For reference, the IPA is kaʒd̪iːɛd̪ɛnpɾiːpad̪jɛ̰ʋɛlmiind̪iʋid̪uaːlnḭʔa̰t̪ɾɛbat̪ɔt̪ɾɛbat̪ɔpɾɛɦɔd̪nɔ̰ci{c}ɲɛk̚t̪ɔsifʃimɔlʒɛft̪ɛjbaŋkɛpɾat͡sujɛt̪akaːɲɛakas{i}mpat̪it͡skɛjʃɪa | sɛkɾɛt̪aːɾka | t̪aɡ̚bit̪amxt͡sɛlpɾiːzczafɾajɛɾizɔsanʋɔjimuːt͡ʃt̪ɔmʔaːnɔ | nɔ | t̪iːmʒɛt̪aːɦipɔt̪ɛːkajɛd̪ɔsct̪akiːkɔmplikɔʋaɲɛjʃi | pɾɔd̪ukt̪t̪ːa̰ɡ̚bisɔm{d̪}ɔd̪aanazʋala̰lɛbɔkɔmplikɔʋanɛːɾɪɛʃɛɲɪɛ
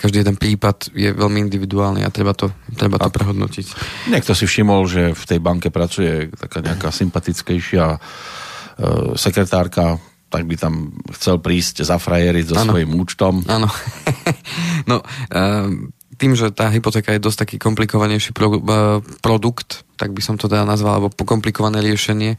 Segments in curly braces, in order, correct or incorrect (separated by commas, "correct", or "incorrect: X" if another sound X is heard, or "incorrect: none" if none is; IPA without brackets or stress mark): correct, correct, incorrect: t̪